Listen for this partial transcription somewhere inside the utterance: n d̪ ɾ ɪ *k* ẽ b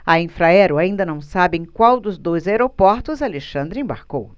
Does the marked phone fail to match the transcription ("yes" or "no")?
yes